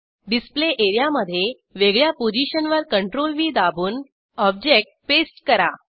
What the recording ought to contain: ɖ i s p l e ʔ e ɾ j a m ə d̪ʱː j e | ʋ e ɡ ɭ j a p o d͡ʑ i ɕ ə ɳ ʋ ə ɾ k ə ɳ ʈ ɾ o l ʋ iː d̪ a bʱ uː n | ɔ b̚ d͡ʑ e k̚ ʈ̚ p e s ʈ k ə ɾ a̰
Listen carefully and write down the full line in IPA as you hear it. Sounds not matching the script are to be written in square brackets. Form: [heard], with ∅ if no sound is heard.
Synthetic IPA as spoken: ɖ i s p l e ʔ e ɾ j a m ə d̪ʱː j e | ʋ e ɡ ɭ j a p o d͡ʑ i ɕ ə [n] ʋ ə ɾ k ə ɳ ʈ ɾ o l ʋ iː d̪ a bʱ uː n | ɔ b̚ d͡ʑ e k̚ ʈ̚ p e s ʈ k ə ɾ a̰